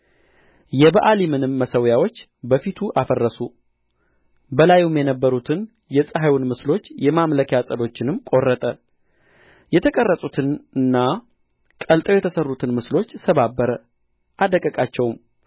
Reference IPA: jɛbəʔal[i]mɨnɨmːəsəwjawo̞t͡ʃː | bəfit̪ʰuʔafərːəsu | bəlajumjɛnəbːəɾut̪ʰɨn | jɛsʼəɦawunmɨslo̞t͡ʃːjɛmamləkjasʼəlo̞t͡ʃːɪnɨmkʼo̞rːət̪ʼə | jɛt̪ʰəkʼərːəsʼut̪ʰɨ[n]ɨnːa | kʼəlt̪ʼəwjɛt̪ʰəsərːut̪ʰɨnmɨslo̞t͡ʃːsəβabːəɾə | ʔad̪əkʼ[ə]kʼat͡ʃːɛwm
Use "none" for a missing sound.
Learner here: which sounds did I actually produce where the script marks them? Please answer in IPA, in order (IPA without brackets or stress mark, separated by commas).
i, n, ə